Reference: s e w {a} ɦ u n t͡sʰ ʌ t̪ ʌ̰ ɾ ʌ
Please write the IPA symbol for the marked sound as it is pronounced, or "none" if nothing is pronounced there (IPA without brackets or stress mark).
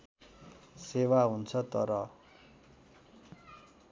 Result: a